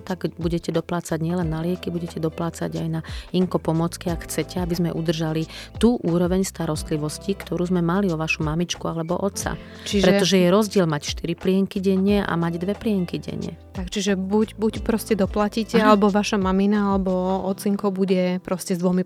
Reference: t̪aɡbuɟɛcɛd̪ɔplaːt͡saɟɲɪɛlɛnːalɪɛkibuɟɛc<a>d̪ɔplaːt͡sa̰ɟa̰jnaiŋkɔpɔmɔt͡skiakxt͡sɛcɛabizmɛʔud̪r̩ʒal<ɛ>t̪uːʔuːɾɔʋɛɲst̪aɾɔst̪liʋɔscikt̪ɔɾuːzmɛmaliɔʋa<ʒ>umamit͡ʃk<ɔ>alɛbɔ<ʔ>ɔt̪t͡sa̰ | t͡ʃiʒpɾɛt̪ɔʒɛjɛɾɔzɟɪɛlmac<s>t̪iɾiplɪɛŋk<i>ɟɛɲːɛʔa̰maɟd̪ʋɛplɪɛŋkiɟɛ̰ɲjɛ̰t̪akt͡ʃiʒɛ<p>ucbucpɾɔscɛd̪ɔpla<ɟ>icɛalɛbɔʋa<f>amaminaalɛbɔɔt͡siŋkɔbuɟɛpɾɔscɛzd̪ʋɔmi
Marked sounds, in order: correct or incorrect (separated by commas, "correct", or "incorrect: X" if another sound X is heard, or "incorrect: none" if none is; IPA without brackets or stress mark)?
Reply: incorrect: ɛ, incorrect: i, incorrect: ʃ, incorrect: u, correct, incorrect: ʃ, correct, incorrect: b, incorrect: c, incorrect: ʃ